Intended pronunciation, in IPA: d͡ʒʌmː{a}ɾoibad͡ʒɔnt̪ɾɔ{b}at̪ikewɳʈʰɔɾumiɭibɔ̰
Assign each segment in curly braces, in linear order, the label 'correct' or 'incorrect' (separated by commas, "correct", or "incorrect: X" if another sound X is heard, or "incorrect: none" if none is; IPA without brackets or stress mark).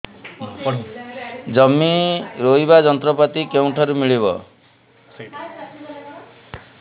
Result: incorrect: i, incorrect: p